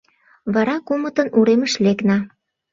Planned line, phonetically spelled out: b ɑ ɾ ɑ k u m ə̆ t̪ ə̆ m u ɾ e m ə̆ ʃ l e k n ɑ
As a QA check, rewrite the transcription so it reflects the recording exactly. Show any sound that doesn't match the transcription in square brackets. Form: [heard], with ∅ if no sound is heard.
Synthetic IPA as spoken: [β] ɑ ɾ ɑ k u m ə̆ t̪ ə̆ [n] u ɾ e m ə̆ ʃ l e k n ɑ